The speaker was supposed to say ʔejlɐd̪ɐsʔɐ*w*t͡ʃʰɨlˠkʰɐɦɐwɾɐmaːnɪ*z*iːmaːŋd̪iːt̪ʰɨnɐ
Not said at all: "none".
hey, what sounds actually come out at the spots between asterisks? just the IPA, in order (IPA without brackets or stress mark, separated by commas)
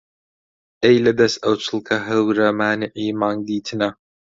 w, ʕ